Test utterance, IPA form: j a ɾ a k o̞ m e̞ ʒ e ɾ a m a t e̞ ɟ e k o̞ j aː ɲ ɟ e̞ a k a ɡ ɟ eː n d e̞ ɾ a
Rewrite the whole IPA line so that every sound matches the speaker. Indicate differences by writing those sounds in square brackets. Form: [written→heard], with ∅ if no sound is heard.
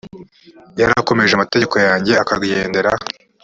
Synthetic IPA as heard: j a ɾ a k o̞ m e̞ ʒ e [ɾ→∅] a m a t e̞ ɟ e k o̞ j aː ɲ ɟ e̞ a k a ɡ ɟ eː n d e̞ ɾ a